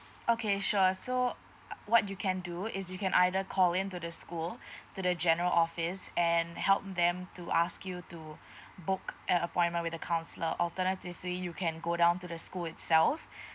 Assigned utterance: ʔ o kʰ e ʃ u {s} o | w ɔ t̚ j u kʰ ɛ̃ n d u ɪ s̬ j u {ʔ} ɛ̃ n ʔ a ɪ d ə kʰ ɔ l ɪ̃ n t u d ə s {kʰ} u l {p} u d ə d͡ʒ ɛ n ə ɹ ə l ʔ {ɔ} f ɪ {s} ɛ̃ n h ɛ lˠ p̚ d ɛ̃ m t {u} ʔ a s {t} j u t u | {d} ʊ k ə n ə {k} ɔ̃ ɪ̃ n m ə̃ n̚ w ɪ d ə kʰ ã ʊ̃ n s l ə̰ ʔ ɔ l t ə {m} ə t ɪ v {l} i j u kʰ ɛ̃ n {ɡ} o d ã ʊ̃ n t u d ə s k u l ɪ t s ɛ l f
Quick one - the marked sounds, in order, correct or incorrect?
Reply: correct, incorrect, incorrect, incorrect, correct, correct, correct, incorrect, incorrect, incorrect, incorrect, correct, correct

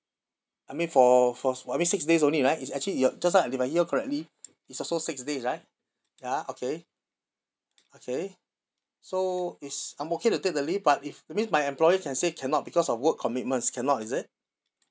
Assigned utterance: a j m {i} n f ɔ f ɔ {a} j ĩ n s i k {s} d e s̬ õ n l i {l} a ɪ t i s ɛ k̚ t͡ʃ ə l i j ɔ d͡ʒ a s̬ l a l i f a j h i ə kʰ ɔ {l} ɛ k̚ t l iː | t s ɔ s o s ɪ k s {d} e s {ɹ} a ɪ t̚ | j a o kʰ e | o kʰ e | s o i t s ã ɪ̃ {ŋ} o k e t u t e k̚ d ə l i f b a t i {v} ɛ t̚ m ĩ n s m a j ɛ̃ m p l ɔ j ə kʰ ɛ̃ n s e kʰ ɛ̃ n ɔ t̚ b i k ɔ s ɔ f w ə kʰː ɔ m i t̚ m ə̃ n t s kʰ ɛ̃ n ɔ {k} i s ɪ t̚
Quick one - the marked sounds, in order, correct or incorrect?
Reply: incorrect, correct, correct, incorrect, incorrect, correct, correct, incorrect, incorrect, incorrect

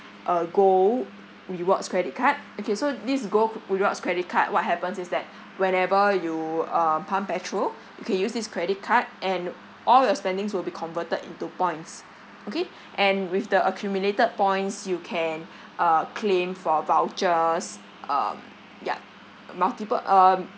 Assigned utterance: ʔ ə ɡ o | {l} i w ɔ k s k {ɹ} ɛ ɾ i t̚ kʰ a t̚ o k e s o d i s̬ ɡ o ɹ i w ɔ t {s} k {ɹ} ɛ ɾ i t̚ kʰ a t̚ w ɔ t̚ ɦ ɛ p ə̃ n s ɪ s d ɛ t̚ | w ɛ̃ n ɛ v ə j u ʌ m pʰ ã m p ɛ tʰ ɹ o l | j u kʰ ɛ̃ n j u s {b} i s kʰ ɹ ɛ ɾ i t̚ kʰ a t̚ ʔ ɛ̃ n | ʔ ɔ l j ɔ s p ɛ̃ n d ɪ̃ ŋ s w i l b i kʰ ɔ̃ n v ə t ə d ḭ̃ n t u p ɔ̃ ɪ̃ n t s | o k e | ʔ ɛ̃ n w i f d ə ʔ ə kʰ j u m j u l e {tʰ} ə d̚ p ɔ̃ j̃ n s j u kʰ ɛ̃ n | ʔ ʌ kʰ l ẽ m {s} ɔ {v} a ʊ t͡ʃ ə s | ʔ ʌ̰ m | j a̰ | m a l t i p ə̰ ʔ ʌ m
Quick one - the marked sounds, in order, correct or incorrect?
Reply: incorrect, correct, correct, correct, incorrect, incorrect, incorrect, correct

